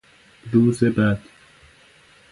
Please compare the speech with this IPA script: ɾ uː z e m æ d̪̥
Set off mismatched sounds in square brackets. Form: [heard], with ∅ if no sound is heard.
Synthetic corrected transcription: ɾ uː z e [b] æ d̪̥

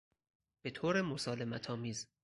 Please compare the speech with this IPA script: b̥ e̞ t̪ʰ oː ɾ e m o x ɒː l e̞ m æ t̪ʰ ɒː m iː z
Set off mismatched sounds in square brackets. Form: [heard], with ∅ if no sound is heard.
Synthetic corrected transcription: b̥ e̞ t̪ʰ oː ɾ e m o [s] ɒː l e̞ m æ t̪ʰ ɒː m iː z

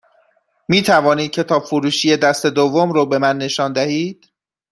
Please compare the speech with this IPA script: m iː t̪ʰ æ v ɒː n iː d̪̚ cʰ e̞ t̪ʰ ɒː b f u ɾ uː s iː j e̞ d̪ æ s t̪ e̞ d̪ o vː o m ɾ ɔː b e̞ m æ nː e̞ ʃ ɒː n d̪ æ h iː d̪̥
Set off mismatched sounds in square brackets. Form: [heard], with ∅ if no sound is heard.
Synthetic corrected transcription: m iː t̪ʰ æ v ɒː n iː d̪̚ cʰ e̞ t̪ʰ ɒː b f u ɾ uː [ʃ] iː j e̞ d̪ æ s t̪ e̞ d̪ o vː o m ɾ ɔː b e̞ m æ nː e̞ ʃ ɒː n d̪ æ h iː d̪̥

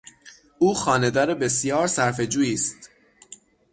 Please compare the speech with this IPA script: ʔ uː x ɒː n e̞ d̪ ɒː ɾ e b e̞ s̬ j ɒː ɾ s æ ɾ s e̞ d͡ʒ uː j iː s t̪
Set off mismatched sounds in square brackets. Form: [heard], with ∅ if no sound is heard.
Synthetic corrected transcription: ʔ uː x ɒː n e̞ d̪ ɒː ɾ e b e̞ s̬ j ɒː ɾ s æ ɾ [f] e̞ d͡ʒ uː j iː s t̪

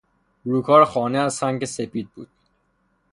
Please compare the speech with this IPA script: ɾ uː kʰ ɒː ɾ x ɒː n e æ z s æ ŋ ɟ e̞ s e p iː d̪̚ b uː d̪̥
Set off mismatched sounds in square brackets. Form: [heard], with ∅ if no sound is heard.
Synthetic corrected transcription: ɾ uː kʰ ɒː ɾ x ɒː n e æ z s æ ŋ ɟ e̞ s e p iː d̪̚ b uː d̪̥

